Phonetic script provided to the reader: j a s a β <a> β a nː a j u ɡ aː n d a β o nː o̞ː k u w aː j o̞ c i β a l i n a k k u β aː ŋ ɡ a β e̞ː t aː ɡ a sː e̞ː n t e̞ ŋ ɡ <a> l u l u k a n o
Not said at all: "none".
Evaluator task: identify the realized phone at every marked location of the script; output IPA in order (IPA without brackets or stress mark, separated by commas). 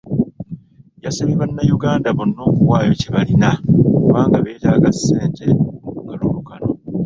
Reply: i, a